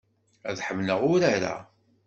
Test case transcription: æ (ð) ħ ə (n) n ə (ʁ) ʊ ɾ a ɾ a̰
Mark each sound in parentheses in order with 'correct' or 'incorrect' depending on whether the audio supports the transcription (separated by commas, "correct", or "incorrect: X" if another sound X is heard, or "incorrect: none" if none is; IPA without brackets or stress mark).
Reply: correct, incorrect: m, correct